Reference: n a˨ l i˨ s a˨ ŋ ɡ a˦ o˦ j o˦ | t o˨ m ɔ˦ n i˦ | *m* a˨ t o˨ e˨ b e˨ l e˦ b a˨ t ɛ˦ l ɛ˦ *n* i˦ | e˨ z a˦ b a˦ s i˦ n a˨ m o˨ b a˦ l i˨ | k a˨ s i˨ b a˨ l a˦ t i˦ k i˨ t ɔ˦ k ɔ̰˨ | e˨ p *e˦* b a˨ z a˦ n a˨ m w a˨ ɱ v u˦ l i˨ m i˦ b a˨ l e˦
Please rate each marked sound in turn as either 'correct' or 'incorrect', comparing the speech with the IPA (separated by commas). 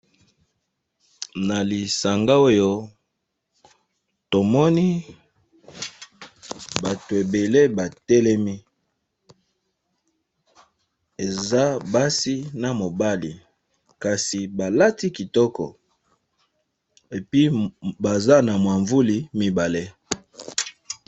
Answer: incorrect, incorrect, incorrect